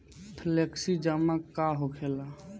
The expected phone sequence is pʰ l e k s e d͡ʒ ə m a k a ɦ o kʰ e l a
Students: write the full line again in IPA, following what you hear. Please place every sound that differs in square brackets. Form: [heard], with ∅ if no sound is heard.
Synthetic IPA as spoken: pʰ l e k s [i] d͡ʒ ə m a k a ɦ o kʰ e l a